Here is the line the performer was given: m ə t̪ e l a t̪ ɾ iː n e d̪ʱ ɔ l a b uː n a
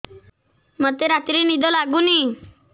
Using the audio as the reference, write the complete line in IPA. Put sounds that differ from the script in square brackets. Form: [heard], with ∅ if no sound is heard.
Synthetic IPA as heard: m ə t̪ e [ɾ] a t̪ ɾ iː n [i] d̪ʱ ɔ l a [ɡ] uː n [i]